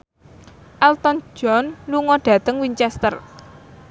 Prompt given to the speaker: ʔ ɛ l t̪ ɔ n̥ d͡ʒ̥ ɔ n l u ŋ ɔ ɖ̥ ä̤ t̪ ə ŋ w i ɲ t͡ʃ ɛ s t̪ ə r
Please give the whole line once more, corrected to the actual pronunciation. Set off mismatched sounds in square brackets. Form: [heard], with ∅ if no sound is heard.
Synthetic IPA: ʔ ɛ l t̪ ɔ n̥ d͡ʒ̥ ɔ n l u ŋ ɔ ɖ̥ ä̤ t̪ ə ŋ w i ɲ t͡ʃ ɛ s t̪ ə r